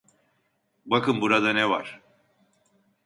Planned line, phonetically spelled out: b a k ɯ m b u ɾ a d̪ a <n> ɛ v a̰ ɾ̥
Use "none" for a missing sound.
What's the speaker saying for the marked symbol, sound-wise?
n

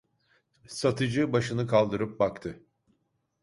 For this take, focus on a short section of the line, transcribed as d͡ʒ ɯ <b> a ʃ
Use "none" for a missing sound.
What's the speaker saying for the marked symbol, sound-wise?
b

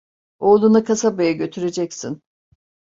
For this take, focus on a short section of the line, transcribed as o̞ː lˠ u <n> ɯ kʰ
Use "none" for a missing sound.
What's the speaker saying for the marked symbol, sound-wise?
n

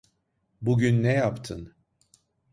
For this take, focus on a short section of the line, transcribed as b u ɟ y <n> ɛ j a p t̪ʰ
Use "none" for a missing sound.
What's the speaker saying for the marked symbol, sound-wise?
nː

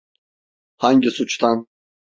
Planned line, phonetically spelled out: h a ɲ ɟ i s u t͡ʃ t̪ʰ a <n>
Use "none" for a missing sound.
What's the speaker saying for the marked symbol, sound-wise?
n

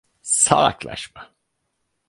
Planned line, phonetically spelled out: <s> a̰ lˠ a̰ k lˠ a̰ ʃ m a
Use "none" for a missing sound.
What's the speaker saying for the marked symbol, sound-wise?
s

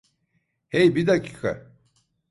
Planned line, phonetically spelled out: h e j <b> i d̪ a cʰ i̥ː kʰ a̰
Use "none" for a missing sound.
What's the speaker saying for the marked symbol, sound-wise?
b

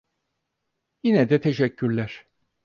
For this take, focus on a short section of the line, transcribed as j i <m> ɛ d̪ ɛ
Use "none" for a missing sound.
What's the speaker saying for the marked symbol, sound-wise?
n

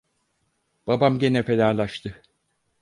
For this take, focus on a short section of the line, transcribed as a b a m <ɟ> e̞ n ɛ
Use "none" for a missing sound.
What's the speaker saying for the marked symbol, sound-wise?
ɟ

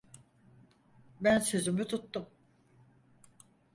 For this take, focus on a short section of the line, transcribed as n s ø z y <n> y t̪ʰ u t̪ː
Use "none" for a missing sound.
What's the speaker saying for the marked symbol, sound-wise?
m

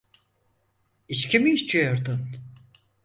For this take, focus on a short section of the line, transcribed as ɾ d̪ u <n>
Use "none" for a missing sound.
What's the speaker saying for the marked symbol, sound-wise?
n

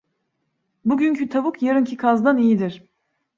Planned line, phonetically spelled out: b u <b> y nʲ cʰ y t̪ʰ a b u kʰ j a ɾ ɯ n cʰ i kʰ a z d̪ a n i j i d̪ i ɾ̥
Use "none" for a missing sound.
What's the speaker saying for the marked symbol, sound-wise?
ɟ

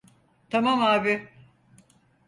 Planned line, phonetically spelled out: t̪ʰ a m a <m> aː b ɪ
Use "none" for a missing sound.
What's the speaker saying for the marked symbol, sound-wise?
m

